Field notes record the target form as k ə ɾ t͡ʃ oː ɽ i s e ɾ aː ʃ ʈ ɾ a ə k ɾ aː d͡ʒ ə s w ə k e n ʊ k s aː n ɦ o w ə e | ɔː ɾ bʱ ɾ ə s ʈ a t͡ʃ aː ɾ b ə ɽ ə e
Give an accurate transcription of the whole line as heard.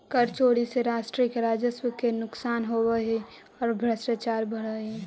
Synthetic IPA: k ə ɾ t͡ʃ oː ɽ i s e ɾ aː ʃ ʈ ɾ i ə k ɾ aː d͡ʒ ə s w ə k e n ʊ k s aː n ɦ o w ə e | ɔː ɾ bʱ ɾ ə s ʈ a t͡ʃ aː ɾ b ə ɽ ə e